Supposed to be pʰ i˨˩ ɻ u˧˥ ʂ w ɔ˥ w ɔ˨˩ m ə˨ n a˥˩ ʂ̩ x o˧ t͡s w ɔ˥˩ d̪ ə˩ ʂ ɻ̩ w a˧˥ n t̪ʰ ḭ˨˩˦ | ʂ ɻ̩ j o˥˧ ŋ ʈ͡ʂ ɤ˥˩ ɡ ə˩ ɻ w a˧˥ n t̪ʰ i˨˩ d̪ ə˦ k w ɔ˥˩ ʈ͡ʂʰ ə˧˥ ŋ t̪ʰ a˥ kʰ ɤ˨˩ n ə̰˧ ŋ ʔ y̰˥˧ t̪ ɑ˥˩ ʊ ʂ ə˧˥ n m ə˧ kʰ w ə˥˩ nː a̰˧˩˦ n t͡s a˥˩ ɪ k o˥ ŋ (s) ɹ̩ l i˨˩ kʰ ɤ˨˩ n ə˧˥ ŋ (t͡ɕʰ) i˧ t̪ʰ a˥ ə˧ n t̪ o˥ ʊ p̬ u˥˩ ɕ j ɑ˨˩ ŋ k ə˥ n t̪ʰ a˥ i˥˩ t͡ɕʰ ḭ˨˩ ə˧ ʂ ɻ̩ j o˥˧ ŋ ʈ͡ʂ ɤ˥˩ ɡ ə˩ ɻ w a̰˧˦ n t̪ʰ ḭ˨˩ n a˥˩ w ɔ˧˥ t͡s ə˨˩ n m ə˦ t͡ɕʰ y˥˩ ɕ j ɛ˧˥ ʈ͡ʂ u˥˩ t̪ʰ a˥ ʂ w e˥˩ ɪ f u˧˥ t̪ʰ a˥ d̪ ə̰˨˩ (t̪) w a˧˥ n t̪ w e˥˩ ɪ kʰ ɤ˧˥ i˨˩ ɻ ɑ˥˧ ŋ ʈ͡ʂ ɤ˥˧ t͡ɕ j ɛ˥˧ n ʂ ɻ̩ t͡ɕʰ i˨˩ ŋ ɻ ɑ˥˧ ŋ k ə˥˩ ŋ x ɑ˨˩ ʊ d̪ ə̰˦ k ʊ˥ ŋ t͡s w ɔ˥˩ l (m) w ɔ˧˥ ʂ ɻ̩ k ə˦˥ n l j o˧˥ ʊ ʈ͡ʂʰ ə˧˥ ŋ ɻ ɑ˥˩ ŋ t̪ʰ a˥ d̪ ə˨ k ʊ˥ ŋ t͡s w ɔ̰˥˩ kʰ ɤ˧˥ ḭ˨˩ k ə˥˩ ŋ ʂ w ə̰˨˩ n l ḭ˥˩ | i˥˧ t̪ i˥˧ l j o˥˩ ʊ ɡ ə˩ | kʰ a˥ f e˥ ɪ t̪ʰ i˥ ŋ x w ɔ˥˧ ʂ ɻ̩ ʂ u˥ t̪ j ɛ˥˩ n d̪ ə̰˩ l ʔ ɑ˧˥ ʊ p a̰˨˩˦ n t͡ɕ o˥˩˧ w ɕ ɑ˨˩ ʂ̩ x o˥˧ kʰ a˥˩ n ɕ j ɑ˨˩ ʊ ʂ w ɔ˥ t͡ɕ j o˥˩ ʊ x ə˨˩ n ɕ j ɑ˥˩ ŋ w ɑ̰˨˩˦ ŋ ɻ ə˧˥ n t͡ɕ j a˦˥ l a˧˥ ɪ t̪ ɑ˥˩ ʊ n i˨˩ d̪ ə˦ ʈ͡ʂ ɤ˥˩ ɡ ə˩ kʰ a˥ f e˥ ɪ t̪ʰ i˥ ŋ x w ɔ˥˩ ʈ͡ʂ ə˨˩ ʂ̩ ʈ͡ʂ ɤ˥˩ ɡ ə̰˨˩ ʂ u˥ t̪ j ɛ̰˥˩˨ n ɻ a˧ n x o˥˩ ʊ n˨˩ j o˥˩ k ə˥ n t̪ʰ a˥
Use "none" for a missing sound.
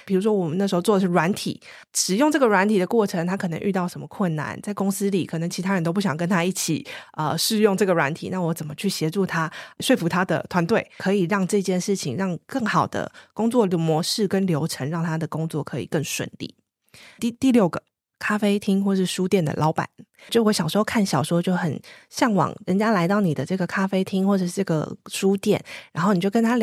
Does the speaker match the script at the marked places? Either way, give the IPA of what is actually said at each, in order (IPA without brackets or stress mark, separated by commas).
s, t͡ɕʰ, t̪ʰ, m